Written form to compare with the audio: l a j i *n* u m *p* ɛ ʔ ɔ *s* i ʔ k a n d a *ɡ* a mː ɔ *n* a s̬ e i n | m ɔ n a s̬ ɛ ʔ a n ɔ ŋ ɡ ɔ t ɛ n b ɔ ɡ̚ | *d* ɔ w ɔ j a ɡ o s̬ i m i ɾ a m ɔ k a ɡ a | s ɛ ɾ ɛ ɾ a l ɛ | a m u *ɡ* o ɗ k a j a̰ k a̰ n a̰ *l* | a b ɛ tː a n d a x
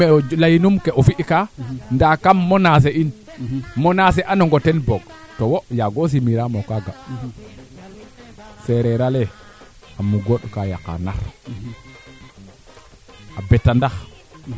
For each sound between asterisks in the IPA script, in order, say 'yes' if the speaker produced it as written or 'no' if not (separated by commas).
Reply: yes, no, no, no, yes, no, yes, no